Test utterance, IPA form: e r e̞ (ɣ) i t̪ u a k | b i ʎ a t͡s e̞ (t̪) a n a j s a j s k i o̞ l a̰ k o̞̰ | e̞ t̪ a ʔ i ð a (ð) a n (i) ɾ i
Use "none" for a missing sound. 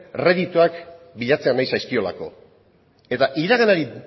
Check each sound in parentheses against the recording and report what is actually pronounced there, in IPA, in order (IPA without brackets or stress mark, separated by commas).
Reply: ð, none, ɣ, a